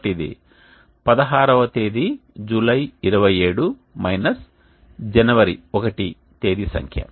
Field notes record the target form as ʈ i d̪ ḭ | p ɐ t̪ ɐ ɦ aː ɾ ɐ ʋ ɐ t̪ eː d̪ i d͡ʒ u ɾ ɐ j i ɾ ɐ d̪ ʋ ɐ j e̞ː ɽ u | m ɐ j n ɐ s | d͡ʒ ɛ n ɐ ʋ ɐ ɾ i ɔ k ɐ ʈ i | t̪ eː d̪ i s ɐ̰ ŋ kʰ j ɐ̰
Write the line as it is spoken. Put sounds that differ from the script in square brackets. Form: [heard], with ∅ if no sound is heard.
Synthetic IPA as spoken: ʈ i d̪ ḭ | p ɐ [d̪] ɐ ɦ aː ɾ ɐ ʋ ɐ t̪ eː d̪ i d͡ʒ u [l] ɐ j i ɾ ɐ [∅] ʋ ɐ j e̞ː ɽ u | m ɐ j n ɐ s | d͡ʒ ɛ n ɐ ʋ ɐ ɾ i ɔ k ɐ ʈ i | t̪ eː d̪ i s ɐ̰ ŋ kʰ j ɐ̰